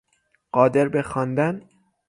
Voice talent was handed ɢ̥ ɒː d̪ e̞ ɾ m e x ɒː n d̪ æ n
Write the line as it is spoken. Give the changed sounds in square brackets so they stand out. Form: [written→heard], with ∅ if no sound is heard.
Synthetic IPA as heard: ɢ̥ ɒː d̪ e̞ ɾ [m→b] e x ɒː n d̪ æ n